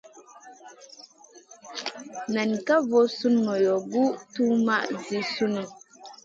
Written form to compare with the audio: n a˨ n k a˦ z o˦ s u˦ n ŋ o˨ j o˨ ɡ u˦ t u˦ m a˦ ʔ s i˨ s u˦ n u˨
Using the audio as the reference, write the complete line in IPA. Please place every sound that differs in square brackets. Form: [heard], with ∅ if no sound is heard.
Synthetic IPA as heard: n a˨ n k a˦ [v] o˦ s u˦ n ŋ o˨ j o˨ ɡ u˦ t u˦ m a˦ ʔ [z] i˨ s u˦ n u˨